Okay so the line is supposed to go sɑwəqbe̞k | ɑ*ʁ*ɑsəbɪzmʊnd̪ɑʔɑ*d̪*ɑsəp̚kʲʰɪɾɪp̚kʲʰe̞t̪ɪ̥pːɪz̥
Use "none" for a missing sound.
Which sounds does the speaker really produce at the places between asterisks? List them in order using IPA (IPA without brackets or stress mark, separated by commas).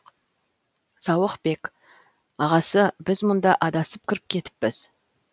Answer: ʁ, d̪